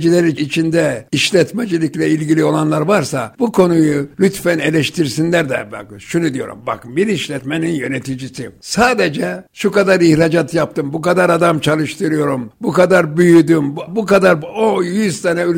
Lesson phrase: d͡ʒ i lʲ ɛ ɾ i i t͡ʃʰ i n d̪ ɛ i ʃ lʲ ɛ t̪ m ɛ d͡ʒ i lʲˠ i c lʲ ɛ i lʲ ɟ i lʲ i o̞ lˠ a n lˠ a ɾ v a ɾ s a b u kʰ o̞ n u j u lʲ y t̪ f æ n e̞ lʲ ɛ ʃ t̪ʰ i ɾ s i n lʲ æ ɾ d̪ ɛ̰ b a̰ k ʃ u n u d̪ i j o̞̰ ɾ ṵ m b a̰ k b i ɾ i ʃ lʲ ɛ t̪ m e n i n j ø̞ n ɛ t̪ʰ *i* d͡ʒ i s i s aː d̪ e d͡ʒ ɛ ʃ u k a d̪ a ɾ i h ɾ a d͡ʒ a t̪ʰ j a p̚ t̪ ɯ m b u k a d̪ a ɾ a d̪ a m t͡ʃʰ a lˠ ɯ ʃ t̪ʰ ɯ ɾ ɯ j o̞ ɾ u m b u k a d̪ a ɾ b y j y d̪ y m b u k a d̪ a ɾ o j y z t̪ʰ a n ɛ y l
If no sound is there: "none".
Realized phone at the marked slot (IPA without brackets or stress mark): i